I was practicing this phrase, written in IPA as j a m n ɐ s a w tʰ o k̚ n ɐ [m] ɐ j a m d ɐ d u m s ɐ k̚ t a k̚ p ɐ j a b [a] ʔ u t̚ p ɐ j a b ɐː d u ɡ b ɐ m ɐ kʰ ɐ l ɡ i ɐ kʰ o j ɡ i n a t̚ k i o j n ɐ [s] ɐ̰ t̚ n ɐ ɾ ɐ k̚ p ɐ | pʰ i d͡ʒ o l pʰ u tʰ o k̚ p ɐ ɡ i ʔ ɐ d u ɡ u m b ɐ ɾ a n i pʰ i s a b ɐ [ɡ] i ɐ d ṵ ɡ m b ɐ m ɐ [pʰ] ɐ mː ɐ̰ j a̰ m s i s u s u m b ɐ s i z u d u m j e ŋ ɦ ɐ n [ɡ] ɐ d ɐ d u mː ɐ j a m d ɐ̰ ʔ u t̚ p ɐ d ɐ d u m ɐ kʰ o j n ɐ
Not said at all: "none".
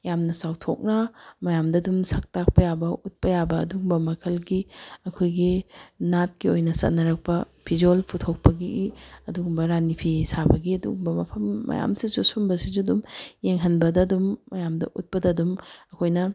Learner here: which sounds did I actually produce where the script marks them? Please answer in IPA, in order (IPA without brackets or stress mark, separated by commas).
m, ɐ, s, ɡ, pʰ, b